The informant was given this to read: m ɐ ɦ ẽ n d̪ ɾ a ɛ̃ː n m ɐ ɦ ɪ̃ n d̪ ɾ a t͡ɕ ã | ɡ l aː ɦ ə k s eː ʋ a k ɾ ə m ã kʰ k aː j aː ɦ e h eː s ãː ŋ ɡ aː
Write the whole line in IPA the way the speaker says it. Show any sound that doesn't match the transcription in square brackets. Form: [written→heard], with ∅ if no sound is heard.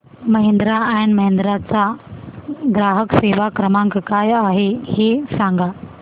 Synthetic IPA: m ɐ ɦ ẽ n d̪ ɾ a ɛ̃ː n m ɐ ɦ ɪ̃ n d̪ ɾ a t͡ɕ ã | ɡ [l→ɾ] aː ɦ ə k s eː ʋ a k ɾ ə m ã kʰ k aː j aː ɦ e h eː s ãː ŋ ɡ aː